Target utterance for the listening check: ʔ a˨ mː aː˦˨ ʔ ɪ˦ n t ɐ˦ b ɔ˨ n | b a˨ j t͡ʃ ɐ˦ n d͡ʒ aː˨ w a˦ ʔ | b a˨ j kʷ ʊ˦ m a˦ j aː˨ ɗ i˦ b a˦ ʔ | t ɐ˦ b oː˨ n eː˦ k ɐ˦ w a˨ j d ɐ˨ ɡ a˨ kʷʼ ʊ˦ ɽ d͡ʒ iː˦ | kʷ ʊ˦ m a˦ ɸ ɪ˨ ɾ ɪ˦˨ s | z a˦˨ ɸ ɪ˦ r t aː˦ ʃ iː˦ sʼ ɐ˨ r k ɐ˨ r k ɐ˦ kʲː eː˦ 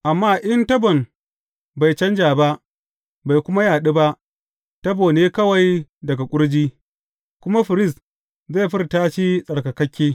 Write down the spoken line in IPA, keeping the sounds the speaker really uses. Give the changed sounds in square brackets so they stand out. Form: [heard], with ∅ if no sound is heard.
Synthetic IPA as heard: ʔ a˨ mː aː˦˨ ʔ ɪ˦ n t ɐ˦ b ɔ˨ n | b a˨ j t͡ʃ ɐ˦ n d͡ʒ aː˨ [b] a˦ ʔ | b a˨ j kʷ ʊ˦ m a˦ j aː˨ ɗ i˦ b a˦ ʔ | t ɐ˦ b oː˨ n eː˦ k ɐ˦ w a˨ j d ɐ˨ ɡ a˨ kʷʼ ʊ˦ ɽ d͡ʒ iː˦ | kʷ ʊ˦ m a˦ ɸ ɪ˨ ɾ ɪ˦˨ s | z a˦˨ ɸ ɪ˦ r t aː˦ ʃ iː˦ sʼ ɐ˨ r k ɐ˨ [∅] k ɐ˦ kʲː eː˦